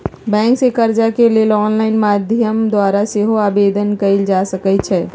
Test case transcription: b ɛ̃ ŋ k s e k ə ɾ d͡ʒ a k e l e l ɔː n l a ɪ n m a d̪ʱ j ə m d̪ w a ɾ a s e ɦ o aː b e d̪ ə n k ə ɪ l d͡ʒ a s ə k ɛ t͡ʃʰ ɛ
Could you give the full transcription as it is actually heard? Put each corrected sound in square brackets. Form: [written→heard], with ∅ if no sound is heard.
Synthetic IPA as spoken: b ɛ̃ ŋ k s e k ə ɾ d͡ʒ a k e l e l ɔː n l a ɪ n m a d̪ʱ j ə m d̪ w a ɾ a s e ɦ o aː b e d̪ ə n k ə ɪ l d͡ʒ a s ə k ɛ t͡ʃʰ ɛ